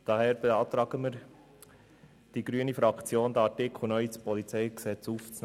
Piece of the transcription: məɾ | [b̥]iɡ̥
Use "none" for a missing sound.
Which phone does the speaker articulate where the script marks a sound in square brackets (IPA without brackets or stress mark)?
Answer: d̥